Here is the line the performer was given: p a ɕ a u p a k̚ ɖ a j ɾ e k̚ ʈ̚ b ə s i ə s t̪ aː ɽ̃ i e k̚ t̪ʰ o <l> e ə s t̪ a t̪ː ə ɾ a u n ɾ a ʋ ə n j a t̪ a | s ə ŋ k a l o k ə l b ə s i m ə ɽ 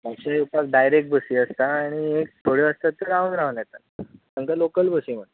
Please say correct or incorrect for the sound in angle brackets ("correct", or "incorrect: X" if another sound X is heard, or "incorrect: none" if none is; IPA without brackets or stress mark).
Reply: incorrect: ɽ